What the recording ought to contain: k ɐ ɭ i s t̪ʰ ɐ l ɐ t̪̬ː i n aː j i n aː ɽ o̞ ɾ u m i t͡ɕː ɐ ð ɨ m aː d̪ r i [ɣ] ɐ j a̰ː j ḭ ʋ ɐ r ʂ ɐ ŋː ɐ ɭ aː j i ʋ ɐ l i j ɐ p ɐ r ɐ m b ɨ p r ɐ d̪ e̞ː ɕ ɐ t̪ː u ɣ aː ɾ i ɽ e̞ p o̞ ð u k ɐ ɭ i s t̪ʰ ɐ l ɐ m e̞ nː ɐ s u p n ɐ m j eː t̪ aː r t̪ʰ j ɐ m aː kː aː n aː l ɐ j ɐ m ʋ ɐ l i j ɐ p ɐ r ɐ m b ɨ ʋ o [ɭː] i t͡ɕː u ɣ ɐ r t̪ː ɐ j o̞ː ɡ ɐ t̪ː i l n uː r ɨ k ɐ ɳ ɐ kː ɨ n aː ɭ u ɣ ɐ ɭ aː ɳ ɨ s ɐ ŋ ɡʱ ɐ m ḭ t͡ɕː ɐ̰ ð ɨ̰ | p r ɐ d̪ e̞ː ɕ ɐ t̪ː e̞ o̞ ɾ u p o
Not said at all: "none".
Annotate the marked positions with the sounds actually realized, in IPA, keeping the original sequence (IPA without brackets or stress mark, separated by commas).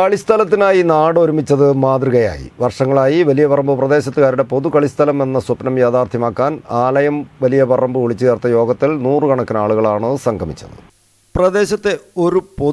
ɣ, ɭ